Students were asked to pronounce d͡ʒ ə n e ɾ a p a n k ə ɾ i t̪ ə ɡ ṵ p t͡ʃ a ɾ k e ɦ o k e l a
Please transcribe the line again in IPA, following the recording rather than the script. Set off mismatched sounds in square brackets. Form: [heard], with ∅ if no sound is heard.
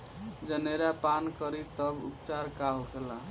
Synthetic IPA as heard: d͡ʒ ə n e ɾ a p a n k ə ɾ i t̪ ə [b] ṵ p t͡ʃ a ɾ k [a] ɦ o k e l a